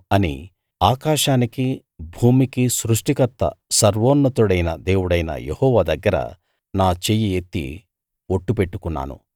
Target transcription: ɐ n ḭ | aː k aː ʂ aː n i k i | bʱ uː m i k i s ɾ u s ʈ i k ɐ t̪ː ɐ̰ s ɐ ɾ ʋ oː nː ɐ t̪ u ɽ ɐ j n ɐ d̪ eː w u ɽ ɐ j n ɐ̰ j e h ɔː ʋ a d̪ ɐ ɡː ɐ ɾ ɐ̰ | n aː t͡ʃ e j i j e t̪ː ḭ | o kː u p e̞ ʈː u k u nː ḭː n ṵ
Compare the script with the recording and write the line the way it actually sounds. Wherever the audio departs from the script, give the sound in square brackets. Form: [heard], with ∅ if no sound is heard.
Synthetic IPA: ɐ n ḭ | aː k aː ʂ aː n i k i | bʱ uː m i k i s ɾ u [ʂ] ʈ i k ɐ t̪ː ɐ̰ s ɐ ɾ ʋ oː nː ɐ t̪ u ɽ ɐ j n ɐ d̪ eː w u ɽ ɐ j n ɐ̰ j e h ɔː ʋ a d̪ ɐ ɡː ɐ ɾ ɐ̰ | n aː t͡ʃ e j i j e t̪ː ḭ | o [ʈː] u p e̞ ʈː u k u nː [a̰ː] n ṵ